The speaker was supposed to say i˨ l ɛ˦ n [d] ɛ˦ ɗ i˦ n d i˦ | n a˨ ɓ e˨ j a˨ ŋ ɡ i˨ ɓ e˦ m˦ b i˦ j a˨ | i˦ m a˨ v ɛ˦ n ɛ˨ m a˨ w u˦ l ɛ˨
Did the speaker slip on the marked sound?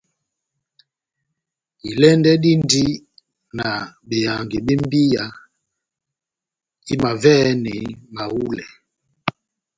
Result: no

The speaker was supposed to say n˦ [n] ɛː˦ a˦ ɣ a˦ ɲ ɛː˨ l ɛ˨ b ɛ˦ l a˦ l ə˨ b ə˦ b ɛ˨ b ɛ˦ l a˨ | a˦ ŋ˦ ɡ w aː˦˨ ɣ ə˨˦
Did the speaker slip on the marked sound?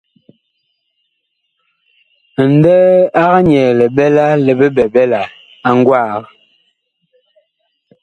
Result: yes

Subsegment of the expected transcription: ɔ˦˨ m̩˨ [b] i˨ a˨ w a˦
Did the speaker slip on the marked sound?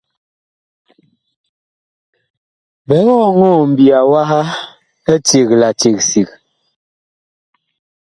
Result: no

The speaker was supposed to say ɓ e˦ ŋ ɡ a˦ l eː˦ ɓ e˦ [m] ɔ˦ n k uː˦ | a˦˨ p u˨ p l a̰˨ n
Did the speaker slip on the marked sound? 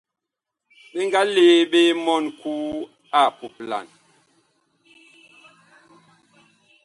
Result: no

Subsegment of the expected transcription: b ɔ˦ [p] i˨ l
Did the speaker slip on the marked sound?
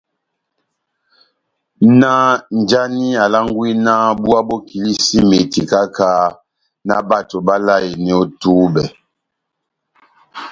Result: yes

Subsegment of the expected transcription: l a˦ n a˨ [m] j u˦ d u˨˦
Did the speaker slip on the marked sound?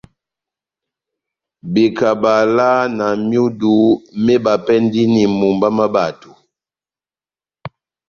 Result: no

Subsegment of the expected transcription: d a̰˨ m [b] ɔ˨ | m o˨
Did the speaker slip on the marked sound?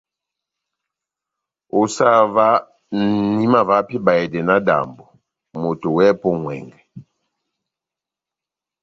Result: no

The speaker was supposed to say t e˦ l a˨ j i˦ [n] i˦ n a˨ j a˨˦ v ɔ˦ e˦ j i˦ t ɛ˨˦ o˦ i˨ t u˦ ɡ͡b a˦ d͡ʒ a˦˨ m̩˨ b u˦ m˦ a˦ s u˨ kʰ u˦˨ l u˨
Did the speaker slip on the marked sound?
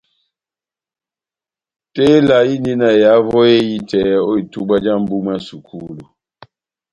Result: no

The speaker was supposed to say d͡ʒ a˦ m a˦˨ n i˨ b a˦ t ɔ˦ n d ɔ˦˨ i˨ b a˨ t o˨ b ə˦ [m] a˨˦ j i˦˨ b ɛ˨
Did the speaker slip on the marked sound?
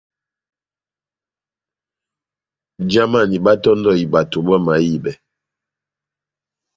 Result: no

